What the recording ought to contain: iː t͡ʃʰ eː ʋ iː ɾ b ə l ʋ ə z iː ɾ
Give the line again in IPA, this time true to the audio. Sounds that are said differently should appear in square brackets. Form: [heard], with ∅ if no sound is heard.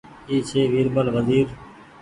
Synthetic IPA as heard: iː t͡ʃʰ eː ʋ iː ɾ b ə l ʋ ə z iː ɾ

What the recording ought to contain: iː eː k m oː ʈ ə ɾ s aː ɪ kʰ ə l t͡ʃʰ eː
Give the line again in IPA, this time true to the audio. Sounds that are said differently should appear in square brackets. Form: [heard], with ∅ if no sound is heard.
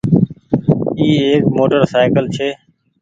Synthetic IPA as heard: iː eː k m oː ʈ ə ɾ s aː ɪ [k] ə l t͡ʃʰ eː

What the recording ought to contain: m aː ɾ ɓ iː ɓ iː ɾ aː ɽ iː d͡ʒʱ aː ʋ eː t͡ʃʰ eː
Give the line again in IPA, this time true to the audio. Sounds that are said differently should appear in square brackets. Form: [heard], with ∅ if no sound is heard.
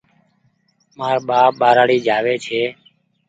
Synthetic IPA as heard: m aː ɾ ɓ [aː] ɓ [aː] ɾ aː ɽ iː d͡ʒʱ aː ʋ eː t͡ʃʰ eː

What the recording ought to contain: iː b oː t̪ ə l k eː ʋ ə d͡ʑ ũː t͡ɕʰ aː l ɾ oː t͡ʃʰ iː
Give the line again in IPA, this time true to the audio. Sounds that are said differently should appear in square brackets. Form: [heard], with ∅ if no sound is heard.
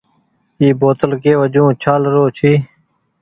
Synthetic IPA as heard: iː b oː t̪ ə l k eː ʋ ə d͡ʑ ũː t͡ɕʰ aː l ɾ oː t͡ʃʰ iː

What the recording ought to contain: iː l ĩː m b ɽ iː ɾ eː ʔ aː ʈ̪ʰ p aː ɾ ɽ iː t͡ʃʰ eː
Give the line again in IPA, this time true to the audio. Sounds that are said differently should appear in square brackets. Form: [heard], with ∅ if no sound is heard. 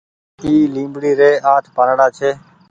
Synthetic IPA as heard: iː l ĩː m b ɽ iː ɾ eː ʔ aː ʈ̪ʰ p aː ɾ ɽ [aː] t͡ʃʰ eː

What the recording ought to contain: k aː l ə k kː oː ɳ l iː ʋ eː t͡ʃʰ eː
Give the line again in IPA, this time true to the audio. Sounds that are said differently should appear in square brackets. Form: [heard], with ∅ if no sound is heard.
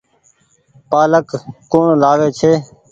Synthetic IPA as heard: [p] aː l ə k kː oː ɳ l [aː] ʋ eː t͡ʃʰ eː

